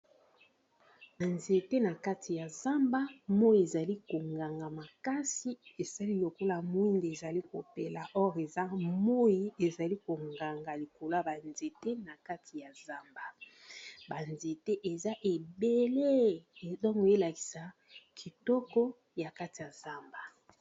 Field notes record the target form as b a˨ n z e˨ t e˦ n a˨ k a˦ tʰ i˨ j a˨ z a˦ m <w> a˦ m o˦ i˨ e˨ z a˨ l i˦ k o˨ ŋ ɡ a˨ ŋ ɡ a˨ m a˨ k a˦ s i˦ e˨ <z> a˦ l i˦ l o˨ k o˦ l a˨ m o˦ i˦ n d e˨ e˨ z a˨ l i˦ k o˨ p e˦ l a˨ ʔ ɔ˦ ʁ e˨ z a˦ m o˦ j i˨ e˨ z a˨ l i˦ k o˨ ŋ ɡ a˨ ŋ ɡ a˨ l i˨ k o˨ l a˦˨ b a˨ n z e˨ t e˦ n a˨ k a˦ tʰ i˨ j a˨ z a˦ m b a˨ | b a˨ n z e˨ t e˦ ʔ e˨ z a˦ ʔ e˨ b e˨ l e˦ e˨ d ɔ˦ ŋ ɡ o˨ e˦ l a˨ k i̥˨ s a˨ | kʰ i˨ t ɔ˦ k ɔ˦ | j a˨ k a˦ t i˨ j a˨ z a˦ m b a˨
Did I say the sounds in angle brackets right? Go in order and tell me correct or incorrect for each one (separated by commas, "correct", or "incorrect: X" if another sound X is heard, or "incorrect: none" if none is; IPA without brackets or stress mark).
incorrect: b, incorrect: s